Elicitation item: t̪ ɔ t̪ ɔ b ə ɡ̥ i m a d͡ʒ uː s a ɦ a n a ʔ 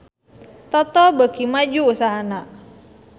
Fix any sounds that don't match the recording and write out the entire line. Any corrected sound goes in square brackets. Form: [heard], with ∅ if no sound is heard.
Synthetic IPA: t̪ ɔ t̪ ɔ b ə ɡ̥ i m a d͡ʒ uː s a ɦ a n a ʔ